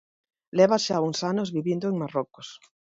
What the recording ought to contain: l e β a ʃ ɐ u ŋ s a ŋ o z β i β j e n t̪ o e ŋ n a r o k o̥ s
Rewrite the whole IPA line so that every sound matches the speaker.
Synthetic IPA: l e β a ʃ a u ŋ s a n o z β i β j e n d̪ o e ŋ m a r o k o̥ s

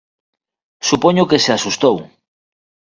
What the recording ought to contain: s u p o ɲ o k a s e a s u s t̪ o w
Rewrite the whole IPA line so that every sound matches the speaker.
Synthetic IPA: s u p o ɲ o k e s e a s u s t̪ o w

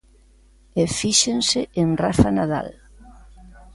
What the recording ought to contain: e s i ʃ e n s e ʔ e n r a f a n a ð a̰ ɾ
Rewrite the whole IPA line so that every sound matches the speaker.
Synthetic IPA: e f i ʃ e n s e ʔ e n r a f a n a ð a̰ l

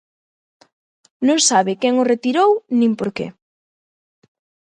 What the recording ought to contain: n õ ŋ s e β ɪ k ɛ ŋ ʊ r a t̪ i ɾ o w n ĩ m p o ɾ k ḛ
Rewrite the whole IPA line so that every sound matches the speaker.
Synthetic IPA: n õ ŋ s a β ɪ k ɛ ŋ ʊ r e t̪ i ɾ o w n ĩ m p o ɾ k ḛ

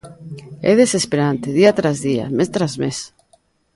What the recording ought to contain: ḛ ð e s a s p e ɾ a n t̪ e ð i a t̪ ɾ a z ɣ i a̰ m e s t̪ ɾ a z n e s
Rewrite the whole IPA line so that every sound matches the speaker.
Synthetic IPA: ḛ ð e s e s p e ɾ a n t̪ e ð i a t̪ ɾ a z ð i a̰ m e s t̪ ɾ a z m e s

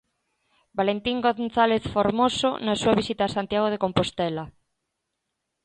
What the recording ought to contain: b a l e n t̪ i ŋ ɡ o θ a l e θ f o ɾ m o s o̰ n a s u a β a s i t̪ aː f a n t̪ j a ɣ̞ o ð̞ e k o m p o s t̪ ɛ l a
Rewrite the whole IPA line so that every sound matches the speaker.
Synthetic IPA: b a l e n t̪ i ŋ ɡ o θ a l e θ f o ɾ m o s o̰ n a s u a β i s i t̪ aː s a n t̪ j a ɣ̞ o ð̞ e k o m p o s t̪ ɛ l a

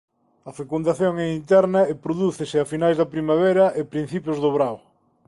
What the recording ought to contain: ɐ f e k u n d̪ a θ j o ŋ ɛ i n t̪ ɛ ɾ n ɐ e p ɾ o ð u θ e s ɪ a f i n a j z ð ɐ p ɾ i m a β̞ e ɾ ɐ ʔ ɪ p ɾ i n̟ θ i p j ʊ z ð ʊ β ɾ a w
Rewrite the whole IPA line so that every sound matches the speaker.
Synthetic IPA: ɐ f e k u n d̪ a θ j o ŋ ɛ i n t̪ ɛ ɾ n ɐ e p ɾ o ð u θ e s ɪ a f i n a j z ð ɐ p ɾ i m a β̞ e ɾ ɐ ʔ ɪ p ɾ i n̟ θ i p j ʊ z ð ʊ β ɾ a w

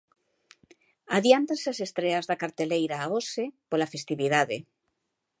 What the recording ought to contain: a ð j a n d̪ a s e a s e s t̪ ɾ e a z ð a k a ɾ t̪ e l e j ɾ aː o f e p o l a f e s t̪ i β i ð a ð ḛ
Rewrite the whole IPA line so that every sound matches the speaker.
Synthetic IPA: a ð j a n t̪ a s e a s e s t̪ ɾ e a z ð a k a ɾ t̪ e l e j ɾ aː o s e p o l a f e s t̪ i β i ð a ð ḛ

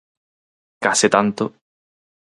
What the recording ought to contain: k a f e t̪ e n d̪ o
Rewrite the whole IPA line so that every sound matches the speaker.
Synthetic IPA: k a s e t̪ a n t̪ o

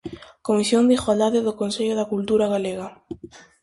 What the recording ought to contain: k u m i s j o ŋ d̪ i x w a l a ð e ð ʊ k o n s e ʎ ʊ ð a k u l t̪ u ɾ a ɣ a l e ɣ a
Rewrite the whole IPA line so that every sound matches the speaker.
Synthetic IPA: k o m i s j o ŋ d̪ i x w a l a ð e ð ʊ k o n s e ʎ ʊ ð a k u l t̪ u ɾ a ɣ a l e ɣ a

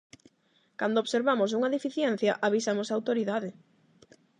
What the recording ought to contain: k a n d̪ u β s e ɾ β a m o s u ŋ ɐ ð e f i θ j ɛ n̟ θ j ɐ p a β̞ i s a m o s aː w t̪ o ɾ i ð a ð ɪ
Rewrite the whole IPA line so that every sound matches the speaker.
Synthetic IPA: k a n d̪ o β s e ɾ β a m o s u ŋ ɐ ð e f i θ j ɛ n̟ θ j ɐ ʔ a β̞ i s a m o s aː w t̪ o ɾ i ð a ð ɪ

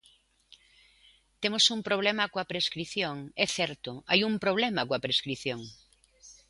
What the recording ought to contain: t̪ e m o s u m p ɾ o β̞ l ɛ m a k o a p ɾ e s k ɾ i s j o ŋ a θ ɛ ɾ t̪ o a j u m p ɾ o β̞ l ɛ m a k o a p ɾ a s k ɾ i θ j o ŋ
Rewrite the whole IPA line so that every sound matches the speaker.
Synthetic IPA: t̪ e m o s u m p ɾ o β̞ l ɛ m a k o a p ɾ e s k ɾ i θ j o ŋ ɛ θ ɛ ɾ t̪ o a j u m p ɾ o β̞ l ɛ m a k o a p ɾ e s k ɾ i θ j o ŋ

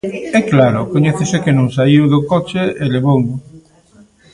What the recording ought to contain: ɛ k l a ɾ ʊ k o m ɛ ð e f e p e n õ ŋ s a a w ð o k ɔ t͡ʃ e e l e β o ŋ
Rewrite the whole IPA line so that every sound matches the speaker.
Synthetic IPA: ɛ k l a ɾ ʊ k o ɲ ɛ θ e s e k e n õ ŋ s a i w ð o k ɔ t͡ʃ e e l e β o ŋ

